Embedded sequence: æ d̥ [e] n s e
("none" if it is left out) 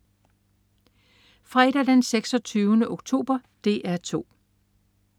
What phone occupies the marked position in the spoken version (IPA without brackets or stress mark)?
e